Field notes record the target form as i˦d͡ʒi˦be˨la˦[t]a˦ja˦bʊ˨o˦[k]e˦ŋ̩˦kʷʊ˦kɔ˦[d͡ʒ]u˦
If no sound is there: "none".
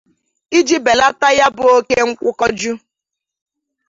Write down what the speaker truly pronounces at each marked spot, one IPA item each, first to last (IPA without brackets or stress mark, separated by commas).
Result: t, k, d͡ʒ